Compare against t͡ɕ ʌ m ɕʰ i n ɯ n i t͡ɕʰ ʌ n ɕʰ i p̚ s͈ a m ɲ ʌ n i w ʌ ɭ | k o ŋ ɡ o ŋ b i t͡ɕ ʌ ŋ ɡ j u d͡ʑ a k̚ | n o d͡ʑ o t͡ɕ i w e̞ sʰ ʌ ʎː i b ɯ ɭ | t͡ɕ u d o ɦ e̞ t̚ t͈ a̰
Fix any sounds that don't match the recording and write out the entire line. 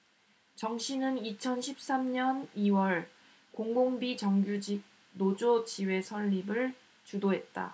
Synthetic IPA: t͡ɕ ʌ ŋ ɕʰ i n ɯ n i t͡ɕʰ ʌ n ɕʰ i p̚ s͈ a m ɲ ʌ n i w ʌ ɭ | k o ŋ ɡ o ŋ b i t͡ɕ ʌ ŋ ɡ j u d͡ʑ i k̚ | n o d͡ʑ o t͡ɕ i w e̞ sʰ ʌ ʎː i b ɯ ɭ | t͡ɕ u d o ɦ e̞ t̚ t͈ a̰